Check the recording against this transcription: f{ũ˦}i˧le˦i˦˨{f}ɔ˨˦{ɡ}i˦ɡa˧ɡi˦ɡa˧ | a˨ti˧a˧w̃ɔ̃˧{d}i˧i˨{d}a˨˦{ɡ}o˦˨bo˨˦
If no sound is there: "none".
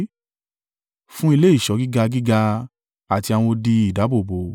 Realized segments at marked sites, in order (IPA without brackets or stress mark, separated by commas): ũ˦, ʃ, ɡ, d, d, b